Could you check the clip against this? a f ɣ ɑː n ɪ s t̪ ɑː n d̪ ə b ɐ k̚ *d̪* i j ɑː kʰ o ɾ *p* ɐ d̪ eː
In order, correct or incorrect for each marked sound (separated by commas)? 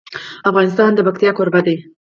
incorrect, incorrect